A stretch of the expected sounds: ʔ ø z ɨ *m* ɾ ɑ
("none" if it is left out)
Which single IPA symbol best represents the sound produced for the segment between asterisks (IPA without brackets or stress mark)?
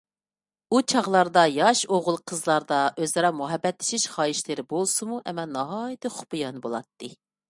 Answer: none